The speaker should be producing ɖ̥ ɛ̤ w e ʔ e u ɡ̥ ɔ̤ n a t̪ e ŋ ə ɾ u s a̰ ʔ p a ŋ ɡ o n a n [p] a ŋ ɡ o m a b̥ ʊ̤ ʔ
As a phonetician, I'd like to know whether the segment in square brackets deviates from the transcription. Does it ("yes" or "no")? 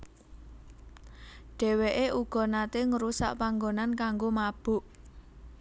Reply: yes